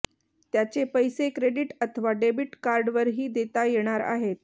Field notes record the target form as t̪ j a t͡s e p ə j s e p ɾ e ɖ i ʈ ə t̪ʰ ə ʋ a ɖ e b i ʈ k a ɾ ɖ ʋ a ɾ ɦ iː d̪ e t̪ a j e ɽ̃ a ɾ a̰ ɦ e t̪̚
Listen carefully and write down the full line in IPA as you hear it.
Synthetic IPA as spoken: t̪ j a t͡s e p ə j s e k ɾ e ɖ i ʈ ə t̪ʰ ə ʋ a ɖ e b i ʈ k a ɾ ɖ ʋ ə ɾ ɦ iː d̪ e t̪ a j e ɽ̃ a ɾ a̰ ɦ e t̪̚